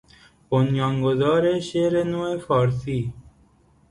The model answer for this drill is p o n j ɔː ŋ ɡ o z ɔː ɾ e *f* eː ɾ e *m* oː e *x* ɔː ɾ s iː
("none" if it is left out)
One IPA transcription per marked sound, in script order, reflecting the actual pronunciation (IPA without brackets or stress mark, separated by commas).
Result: ʃ, n, f